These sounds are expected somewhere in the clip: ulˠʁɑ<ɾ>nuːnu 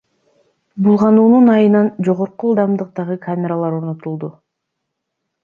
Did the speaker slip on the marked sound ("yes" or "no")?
yes